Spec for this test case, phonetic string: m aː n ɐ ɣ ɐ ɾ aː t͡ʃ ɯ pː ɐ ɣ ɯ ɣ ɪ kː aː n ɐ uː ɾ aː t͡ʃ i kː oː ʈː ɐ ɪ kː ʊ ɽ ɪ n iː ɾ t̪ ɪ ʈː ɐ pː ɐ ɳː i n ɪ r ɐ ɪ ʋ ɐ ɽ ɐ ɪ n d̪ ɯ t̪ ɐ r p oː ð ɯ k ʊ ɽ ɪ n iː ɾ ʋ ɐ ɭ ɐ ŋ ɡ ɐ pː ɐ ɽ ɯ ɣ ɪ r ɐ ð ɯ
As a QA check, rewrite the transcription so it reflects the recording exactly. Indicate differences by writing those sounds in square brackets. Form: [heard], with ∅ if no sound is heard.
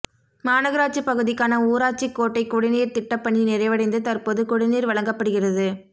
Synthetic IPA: m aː n ɐ ɣ ɐ ɾ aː t͡ʃ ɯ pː ɐ ɣ ɯ [ð] ɪ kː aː n ɐ uː ɾ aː t͡ʃ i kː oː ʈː ɐ ɪ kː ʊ ɽ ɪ n iː ɾ t̪ ɪ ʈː ɐ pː ɐ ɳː i n ɪ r ɐ ɪ ʋ ɐ ɽ ɐ ɪ n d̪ ɯ t̪ ɐ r p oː ð ɯ k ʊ ɽ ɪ n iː ɾ ʋ ɐ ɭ ɐ ŋ ɡ ɐ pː ɐ ɽ ɯ ɣ ɪ r ɐ ð ɯ